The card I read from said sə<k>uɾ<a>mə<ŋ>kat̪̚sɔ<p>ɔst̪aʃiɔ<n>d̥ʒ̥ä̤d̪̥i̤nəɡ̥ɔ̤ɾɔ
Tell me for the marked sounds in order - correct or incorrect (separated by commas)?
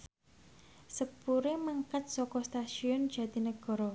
incorrect, incorrect, correct, incorrect, correct